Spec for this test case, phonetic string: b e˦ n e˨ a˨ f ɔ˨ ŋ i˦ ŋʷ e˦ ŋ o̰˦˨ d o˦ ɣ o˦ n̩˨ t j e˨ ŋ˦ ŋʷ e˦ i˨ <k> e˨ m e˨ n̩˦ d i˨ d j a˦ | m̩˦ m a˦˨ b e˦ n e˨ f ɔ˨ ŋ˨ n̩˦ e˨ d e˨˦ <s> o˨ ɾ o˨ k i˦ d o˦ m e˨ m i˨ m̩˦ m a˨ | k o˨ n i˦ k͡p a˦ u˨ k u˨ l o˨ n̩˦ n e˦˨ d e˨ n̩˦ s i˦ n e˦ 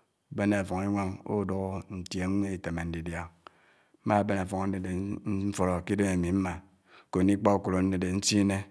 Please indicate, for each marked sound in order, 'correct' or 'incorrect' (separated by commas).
incorrect, incorrect